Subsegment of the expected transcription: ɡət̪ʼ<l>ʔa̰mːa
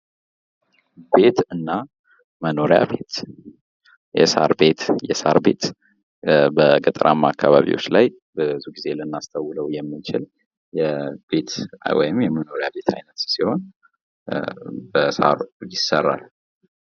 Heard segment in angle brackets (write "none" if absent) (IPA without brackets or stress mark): ɾ